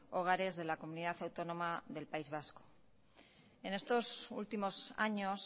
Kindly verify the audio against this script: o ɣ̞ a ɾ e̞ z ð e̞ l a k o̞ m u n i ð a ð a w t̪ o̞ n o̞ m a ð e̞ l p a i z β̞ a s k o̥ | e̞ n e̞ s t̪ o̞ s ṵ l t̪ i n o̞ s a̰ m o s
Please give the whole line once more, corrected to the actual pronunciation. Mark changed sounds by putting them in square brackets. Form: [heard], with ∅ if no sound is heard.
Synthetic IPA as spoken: o ɣ̞ a ɾ e̞ z ð e̞ l a k o̞ m u n i ð a [θ] a w t̪ o̞ n o̞ m a ð e̞ l p a i z β̞ a s k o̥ | e̞ n e̞ s t̪ o̞ s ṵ l t̪ i [m] o̞ s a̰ [ɲ] o s

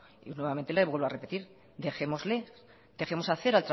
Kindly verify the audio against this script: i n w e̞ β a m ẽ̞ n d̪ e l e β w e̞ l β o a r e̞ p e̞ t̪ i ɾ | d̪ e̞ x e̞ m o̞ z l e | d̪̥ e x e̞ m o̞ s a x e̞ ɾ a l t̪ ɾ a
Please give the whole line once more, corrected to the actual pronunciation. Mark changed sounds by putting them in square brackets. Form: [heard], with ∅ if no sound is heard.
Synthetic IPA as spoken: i n w e̞ β a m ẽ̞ n [t̪] e l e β w e̞ l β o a r e̞ p e̞ t̪ i ɾ | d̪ e̞ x e̞ m o̞ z l e | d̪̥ e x e̞ m o̞ s a [θ] e̞ ɾ a l t̪ ɾ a

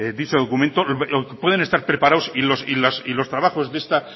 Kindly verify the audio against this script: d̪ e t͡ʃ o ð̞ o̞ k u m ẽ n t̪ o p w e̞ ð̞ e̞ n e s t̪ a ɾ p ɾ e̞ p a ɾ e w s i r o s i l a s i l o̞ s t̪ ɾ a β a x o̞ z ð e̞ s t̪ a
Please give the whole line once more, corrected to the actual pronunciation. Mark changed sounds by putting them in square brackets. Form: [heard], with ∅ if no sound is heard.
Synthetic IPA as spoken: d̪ [i] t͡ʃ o ð̞ o̞ k u m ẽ n t̪ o p w e̞ ð̞ e̞ n e s t̪ a ɾ p ɾ e̞ p a ɾ [a] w s i [l] o s i l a s i l o̞ s t̪ ɾ a β a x o̞ z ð e̞ s t̪ a

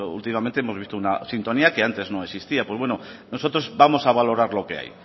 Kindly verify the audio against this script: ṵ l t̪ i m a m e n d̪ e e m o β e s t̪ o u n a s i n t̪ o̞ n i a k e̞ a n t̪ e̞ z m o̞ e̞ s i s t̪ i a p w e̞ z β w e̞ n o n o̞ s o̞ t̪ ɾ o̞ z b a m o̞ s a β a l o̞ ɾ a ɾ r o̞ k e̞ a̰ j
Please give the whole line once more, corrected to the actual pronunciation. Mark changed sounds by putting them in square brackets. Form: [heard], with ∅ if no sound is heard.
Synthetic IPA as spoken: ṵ l t̪ i m a m e n [t̪] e e m o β [i] s t̪ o u n a s i n t̪ o̞ n i a k e̞ a n t̪ e̞ z [n] o̞ e̞ s i s t̪ i a p w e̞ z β w e̞ n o n o̞ s o̞ t̪ ɾ o̞ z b a m o̞ s a β a l o̞ ɾ a ɾ [l] o̞ k e̞ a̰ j

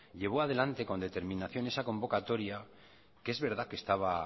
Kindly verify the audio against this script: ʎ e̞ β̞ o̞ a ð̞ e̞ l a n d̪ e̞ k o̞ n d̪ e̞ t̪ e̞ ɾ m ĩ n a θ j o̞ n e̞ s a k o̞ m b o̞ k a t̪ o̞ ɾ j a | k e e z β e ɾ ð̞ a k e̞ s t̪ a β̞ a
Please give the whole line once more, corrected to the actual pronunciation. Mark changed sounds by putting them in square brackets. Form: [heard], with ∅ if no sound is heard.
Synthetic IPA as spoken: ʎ e̞ β̞ o̞ a ð̞ e̞ l a n [t̪] e̞ k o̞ n d̪ e̞ t̪ e̞ ɾ m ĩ n a θ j o̞ n e̞ s a k o̞ m b o̞ k a t̪ o̞ ɾ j a | k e e z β e ɾ ð̞ a k e̞ s t̪ a β̞ a

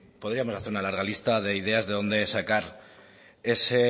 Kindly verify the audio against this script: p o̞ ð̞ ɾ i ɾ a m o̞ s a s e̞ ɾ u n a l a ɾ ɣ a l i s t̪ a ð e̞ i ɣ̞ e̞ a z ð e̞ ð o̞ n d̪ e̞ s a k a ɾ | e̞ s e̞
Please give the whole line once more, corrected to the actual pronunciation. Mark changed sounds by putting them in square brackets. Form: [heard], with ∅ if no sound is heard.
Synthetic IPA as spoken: p o̞ ð̞ ɾ i [∅] a m o̞ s a [θ] e̞ ɾ u n a l a ɾ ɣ a l i s t̪ a ð e̞ i [ð̞] e̞ a z ð e̞ ð o̞ n d̪ e̞ s a k a ɾ | e̞ s e̞

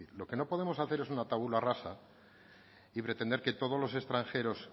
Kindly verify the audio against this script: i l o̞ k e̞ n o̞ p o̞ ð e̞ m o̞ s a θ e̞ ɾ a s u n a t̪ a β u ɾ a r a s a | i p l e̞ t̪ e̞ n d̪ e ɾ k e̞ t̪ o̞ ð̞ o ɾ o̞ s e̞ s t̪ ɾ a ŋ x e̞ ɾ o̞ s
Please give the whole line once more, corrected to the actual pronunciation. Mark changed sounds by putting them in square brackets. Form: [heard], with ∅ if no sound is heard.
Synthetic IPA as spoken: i l o̞ k e̞ n o̞ p o̞ ð e̞ m o̞ s a θ e̞ ɾ [e] s u n a t̪ a β u [l] a r a s a | i p [ɾ] e̞ t̪ e̞ n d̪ e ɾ k e̞ t̪ o̞ ð̞ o [l] o̞ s e̞ s t̪ ɾ a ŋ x e̞ ɾ o̞ s

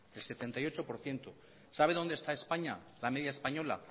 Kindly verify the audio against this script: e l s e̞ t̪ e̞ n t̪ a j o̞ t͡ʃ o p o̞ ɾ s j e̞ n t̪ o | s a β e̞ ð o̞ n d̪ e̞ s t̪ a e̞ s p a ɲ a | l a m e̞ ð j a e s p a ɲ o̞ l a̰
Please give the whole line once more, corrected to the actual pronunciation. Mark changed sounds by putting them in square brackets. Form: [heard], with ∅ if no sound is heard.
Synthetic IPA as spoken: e l s e̞ t̪ e̞ n t̪ a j o̞ t͡ʃ o p o̞ ɾ [θ] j e̞ n t̪ o | s a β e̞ ð o̞ n d̪ e̞ s t̪ a e̞ s p a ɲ a | l a m e̞ ð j a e s p a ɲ o̞ l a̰

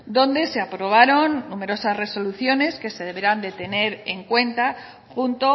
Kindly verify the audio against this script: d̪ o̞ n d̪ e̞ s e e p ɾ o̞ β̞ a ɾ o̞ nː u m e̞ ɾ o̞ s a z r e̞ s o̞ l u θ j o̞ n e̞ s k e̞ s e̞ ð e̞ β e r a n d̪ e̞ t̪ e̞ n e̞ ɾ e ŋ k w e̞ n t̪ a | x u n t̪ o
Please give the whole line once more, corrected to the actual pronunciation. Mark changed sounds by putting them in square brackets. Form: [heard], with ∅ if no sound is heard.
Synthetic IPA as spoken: d̪ o̞ n d̪ e̞ s e [a] p ɾ o̞ β̞ a ɾ o̞ nː u m e̞ ɾ o̞ s a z r e̞ s o̞ l u θ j o̞ n e̞ s k e̞ s e̞ ð e̞ β e [ɾ] a n d̪ e̞ t̪ e̞ n e̞ ɾ e ŋ k w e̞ n t̪ a | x u n t̪ o

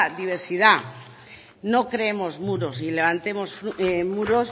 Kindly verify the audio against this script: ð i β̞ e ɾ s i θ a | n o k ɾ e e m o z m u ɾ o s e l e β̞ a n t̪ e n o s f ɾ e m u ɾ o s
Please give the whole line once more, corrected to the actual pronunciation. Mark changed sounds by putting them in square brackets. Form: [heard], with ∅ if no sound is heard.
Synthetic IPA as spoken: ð i β̞ e ɾ s i [ð] a | n o k ɾ e e m o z m u ɾ o s [i] l e β̞ a n t̪ e [m] o s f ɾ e m u ɾ o s

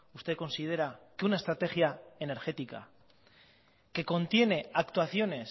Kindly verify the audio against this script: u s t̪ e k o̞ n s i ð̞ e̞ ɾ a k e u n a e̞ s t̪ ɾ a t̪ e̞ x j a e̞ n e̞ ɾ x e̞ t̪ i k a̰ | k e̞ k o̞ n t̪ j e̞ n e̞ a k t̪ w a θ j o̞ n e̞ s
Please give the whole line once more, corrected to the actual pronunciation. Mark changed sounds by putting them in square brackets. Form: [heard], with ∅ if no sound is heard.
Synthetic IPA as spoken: u s t̪ e k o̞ n s i ð̞ e̞ ɾ a k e u n a e̞ s t̪ ɾ a t̪ e̞ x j a e̞ n e̞ ɾ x e̞ t̪ i k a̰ | k e̞ k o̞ n t̪ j e̞ n e̞ a k t̪ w a θ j o̞ n e̞ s

